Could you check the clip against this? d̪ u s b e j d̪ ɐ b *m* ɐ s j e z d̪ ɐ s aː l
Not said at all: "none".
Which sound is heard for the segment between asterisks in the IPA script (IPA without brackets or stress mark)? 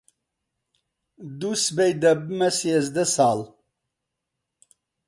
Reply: m